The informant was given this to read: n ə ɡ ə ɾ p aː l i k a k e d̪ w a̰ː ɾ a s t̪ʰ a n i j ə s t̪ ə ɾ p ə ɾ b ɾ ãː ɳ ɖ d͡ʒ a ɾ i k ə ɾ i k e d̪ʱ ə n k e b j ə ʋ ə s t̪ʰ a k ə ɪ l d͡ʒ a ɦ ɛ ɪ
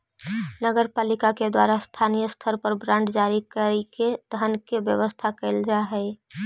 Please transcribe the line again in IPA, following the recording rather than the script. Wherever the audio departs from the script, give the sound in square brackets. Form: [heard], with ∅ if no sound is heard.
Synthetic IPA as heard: n ə ɡ ə ɾ p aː l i k a k e d̪ w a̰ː ɾ a s t̪ʰ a n i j ə s [t̪ʰ] ə ɾ p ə ɾ b ɾ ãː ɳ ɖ d͡ʒ a ɾ i k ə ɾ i k e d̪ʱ ə n k e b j ə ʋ ə s t̪ʰ a k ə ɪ l d͡ʒ a ɦ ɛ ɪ